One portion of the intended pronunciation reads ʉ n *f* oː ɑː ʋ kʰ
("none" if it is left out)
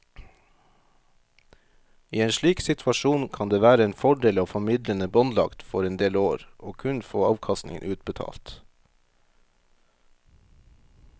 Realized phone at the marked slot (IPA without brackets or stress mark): f